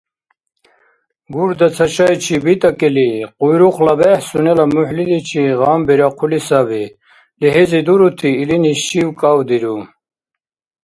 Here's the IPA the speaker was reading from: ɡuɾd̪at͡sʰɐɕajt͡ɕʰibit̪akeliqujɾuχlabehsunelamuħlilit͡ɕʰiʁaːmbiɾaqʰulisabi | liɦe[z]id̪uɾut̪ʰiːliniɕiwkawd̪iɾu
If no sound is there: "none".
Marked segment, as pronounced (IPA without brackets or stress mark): z